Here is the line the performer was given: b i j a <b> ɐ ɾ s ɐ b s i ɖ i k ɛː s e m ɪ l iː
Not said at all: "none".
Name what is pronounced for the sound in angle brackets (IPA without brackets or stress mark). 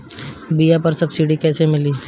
p